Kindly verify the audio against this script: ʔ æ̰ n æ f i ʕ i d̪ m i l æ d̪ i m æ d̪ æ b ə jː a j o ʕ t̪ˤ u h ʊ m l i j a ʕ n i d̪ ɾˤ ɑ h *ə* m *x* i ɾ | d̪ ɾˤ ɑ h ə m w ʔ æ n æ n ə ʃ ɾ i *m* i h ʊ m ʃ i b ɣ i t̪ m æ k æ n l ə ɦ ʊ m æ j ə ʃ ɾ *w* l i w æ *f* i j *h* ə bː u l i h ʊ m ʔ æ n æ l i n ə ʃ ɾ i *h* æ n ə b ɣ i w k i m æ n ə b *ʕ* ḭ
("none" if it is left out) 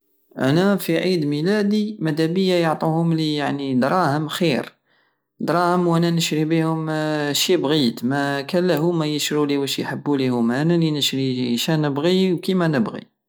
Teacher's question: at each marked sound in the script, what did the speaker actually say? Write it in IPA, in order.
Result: ə, x, b, u, ʃ, ħ, ʃ, ɣ

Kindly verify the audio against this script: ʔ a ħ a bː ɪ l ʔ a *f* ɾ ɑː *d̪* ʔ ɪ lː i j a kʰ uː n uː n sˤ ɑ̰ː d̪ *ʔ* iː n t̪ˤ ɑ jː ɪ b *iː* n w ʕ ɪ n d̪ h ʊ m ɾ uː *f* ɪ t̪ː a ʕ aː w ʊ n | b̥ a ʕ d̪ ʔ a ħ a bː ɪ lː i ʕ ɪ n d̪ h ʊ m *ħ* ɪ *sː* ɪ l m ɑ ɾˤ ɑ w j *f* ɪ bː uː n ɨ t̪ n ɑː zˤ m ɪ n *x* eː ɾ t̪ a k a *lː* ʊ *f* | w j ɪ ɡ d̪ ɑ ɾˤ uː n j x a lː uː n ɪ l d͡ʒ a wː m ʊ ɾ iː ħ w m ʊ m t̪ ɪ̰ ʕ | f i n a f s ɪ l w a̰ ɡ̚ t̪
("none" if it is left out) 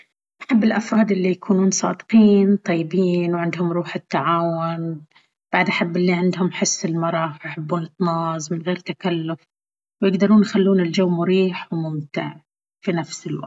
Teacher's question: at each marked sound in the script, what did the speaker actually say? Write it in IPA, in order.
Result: f, d̪, q, iː, ħ, ħ, sː, ħ, ɣ, lː, f

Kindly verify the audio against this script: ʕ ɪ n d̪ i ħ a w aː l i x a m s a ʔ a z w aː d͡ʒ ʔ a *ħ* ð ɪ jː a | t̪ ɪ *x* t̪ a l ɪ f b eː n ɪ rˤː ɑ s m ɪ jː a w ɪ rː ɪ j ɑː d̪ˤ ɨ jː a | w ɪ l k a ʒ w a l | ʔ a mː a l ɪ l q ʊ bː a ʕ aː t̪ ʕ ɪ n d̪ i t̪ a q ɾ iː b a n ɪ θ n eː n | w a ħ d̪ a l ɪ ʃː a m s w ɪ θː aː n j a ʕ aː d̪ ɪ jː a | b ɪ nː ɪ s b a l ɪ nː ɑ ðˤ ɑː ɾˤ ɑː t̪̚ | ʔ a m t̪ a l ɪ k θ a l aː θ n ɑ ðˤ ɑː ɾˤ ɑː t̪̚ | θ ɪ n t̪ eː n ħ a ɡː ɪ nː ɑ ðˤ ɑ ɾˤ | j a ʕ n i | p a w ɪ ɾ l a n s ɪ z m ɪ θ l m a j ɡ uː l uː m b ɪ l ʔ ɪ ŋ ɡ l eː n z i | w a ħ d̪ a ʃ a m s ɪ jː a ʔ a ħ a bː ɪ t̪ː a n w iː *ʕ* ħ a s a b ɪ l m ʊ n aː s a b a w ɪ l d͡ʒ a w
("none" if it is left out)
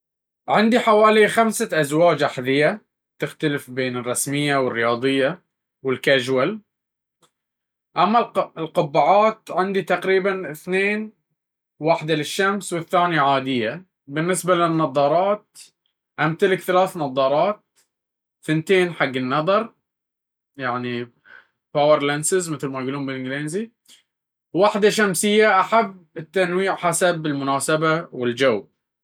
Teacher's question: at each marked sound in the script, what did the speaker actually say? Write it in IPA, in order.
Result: ħ, x, ʕ

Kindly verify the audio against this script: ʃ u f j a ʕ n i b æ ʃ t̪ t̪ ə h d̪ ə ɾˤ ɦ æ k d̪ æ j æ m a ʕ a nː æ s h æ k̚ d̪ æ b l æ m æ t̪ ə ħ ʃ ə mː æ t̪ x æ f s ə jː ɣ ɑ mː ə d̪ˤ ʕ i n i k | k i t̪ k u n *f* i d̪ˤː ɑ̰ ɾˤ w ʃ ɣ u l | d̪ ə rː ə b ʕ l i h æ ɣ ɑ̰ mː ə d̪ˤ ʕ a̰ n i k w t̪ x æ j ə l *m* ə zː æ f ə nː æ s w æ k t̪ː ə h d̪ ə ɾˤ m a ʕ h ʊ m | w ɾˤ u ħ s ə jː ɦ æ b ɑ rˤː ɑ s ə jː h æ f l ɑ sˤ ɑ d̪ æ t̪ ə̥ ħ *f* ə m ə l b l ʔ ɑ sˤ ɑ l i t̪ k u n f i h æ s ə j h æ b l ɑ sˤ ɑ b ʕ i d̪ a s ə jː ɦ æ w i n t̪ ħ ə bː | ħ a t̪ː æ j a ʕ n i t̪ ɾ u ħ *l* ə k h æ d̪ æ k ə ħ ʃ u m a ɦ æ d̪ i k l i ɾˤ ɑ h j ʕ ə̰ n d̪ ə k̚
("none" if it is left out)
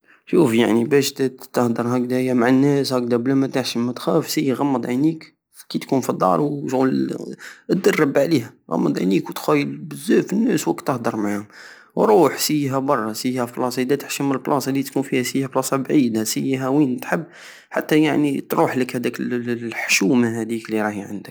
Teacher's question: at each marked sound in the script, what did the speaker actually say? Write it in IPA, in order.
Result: f, b, ʃ, l

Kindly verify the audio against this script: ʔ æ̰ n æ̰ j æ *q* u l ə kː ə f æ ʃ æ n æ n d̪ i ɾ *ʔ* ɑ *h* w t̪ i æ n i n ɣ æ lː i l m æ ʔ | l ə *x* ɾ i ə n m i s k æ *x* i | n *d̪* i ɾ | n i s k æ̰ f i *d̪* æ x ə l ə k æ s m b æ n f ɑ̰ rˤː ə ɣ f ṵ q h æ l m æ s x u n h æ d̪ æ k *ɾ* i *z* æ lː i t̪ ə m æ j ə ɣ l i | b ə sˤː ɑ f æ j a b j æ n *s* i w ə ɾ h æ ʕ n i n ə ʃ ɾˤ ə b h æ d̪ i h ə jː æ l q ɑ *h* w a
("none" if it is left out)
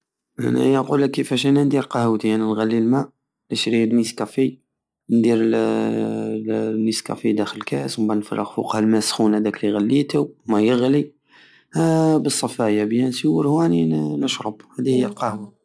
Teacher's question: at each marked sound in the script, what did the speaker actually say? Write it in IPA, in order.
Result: q, q, h, ʃ, f, d̪, d̪, l, ɣ, s, h

